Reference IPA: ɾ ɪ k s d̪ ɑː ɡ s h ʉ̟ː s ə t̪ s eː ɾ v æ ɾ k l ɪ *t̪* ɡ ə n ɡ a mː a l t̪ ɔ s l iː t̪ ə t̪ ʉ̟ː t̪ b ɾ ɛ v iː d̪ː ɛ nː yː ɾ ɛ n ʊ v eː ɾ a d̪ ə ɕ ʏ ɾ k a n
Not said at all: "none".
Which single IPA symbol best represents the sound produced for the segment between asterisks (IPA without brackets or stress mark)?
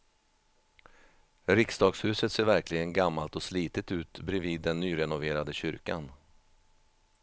none